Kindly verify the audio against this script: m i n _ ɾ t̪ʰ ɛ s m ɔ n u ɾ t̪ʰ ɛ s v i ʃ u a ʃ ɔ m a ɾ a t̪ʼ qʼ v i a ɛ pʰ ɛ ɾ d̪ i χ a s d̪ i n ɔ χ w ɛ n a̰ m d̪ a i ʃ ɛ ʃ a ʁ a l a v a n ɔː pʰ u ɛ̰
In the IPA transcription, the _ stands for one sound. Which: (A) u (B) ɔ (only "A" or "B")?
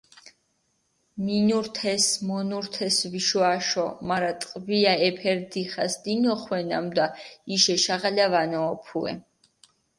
A